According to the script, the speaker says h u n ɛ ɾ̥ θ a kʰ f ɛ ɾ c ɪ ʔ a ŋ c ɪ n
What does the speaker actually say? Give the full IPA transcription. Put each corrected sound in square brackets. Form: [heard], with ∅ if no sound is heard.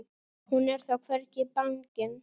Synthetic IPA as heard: h u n ɛ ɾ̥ θ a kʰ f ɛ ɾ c ɪ [p] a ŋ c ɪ n